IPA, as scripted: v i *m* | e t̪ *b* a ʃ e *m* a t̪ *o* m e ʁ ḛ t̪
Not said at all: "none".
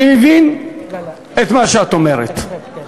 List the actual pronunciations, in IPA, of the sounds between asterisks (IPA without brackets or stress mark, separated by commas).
n, m, none, o